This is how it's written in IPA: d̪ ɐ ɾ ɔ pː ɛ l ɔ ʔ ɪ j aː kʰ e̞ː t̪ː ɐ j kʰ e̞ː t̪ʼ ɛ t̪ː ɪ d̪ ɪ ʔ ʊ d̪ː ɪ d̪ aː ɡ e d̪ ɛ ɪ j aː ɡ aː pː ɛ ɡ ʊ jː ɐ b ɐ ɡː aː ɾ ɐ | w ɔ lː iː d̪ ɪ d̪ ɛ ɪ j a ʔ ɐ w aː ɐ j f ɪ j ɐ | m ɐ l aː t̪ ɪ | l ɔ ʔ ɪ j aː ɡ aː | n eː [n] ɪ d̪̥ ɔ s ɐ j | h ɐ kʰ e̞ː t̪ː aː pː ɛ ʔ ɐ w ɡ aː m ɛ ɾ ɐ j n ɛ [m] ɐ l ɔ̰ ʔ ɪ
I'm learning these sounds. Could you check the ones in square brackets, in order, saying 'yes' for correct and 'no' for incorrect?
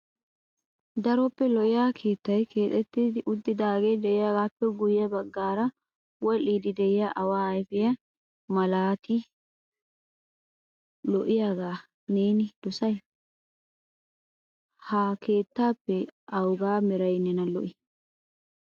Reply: yes, no

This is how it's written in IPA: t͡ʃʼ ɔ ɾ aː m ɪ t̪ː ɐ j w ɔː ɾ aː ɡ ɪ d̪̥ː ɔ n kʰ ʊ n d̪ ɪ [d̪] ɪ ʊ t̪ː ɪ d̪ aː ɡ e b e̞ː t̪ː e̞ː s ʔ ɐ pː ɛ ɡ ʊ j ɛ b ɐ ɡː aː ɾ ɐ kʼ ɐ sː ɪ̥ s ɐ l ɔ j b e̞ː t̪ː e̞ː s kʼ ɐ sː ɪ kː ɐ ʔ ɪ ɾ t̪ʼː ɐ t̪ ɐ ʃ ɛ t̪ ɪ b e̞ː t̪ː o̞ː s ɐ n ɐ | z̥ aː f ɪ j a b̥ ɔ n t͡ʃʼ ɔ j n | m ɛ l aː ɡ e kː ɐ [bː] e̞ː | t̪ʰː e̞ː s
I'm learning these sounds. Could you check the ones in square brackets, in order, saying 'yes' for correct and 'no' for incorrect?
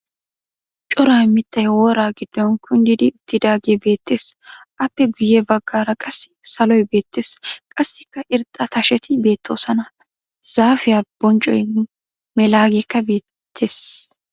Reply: yes, no

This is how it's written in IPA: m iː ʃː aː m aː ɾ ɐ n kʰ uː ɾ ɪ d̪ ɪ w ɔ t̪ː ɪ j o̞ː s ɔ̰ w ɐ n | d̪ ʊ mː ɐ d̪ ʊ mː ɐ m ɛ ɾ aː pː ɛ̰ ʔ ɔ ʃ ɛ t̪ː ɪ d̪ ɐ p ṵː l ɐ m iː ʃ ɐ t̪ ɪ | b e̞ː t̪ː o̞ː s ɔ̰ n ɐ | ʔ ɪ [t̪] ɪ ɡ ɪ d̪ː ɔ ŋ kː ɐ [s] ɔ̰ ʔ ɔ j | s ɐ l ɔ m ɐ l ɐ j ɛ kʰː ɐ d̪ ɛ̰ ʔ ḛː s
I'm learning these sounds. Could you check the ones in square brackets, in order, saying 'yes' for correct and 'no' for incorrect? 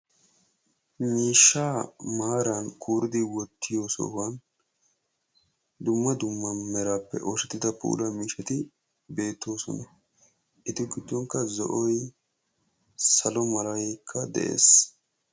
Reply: yes, no

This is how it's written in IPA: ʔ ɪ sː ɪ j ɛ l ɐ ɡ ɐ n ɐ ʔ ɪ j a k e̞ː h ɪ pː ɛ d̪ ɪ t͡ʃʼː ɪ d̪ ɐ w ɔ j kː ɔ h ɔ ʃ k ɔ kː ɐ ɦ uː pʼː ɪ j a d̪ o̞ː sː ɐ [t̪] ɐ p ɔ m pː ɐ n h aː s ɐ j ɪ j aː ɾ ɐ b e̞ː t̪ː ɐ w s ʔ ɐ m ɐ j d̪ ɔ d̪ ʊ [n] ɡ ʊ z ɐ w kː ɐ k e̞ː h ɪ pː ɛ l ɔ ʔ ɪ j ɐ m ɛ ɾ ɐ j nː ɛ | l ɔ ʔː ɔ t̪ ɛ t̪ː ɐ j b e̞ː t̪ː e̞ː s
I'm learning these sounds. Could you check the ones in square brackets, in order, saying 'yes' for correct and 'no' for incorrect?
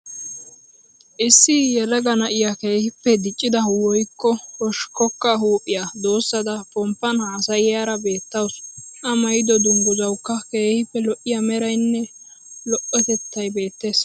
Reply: no, no

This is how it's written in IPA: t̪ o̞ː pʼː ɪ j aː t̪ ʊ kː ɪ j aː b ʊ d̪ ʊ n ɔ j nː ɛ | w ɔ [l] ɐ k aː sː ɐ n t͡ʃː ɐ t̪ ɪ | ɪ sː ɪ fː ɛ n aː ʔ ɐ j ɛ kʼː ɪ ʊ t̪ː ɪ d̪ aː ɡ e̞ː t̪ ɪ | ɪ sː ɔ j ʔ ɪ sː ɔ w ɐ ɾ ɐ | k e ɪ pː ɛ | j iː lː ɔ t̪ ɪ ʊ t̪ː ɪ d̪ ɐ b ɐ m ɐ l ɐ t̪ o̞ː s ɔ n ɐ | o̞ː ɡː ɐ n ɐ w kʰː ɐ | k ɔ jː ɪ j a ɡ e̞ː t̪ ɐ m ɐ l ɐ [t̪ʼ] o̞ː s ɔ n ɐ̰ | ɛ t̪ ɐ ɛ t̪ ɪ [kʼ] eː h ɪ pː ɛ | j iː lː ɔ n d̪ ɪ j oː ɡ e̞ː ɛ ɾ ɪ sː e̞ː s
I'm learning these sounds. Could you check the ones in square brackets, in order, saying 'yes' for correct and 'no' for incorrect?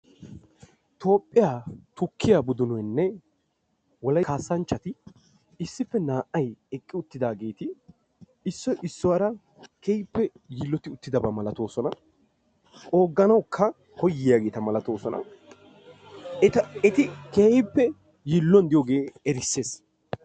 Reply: yes, no, no

